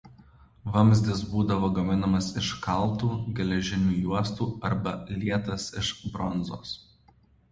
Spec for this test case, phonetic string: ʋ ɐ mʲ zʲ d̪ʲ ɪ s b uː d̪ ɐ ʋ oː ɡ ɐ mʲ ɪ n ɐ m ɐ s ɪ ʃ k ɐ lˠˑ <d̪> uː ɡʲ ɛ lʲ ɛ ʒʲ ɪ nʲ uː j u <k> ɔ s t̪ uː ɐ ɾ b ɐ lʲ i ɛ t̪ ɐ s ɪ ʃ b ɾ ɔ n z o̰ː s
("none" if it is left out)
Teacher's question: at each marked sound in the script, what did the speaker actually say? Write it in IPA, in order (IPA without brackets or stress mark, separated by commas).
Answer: t̪, none